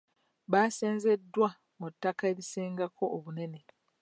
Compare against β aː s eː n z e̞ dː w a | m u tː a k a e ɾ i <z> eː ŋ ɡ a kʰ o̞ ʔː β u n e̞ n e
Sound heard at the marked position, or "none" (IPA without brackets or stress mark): s